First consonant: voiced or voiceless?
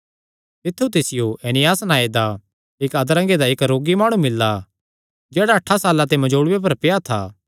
voiceless